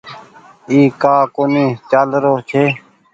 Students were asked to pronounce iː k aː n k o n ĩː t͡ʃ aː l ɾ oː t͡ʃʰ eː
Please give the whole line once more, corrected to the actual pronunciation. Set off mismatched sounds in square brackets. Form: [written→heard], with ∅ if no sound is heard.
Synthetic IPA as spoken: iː k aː [n→∅] k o n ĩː t͡ʃ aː l ɾ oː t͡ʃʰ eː